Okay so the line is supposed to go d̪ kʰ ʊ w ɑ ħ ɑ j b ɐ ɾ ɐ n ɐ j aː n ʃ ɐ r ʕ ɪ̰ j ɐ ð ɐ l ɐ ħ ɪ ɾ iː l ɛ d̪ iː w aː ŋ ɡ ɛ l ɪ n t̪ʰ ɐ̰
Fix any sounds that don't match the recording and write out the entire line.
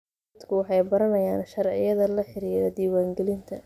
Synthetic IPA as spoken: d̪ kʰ ʊ w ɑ ħ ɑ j b ɐ ɾ ɐ n ɐ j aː n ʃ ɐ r ʕ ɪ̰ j ɐ ð ɐ l ɐ ħ ɪ ɾ iː ɾ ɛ d̪ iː w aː ŋ ɡ ɛ l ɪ n t̪ʰ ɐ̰